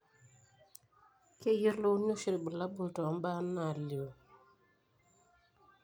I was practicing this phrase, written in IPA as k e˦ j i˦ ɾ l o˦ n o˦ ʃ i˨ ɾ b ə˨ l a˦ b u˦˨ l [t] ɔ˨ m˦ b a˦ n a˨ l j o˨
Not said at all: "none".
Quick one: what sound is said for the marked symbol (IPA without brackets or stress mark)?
t